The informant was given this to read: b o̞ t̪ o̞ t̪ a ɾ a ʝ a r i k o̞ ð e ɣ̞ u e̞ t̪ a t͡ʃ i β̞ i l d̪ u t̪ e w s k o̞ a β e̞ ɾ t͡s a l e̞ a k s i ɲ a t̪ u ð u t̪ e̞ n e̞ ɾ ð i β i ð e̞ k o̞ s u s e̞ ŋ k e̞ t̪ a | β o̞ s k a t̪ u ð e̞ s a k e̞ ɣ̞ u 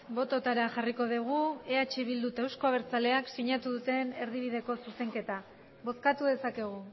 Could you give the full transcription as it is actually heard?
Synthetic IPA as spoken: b o̞ t̪ o̞ t̪ a ɾ a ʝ a r i k o̞ ð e ɣ̞ u e̞ a t͡ʃ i β̞ i l d̪ u t̪ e w s k o̞ a β e̞ ɾ t͡s a l e̞ a k s i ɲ a t̪ u ð u t̪ e̞ n e̞ ɾ ð i β i ð e̞ k o̞ s u s e̞ ŋ k e̞ t̪ a | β o̞ s k a t̪ u ð e̞ s a k e̞ ɣ̞ u